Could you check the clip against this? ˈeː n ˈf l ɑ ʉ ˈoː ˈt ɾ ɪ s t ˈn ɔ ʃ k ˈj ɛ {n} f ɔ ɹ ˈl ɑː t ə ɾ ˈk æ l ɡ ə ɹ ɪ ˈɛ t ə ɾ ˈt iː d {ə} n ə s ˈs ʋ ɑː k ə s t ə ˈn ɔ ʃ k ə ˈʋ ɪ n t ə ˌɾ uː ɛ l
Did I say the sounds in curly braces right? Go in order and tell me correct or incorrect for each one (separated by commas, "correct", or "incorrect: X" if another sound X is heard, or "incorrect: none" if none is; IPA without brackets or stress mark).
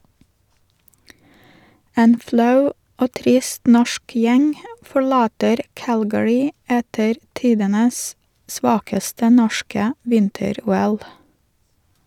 incorrect: ŋ, correct